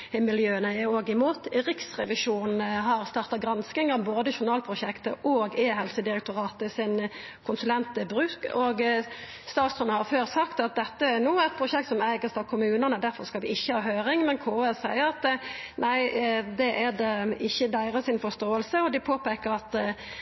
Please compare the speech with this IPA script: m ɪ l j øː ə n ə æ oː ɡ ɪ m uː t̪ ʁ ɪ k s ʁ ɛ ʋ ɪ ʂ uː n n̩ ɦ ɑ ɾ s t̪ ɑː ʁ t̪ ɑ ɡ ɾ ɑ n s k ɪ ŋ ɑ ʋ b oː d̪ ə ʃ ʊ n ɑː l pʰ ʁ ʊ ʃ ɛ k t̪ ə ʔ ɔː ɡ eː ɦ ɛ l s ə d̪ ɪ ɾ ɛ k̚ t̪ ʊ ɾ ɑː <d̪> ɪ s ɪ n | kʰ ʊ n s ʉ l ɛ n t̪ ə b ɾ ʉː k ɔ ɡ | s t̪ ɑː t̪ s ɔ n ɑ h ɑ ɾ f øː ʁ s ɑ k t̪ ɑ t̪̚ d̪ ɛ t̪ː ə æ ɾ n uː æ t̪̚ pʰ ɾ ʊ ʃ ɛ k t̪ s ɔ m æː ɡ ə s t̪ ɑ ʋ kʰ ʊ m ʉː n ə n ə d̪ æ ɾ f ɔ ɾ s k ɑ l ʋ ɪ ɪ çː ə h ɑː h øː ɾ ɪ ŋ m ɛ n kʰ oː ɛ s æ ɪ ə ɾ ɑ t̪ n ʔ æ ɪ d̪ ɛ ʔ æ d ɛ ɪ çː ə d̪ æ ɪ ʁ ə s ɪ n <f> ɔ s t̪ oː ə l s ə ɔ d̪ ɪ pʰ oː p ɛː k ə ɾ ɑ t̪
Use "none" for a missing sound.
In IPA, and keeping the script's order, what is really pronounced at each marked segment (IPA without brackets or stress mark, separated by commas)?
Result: t̪, f